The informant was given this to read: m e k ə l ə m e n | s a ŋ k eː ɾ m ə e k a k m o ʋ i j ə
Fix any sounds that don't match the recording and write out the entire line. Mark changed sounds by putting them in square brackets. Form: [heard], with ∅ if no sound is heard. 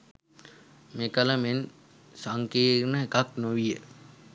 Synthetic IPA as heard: m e k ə l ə m e n | s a ŋ k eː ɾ [n] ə e k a k [n] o ʋ i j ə